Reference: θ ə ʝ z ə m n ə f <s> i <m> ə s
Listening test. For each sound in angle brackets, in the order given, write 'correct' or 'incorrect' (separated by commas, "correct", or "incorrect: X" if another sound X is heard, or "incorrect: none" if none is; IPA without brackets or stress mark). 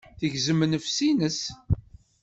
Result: correct, incorrect: n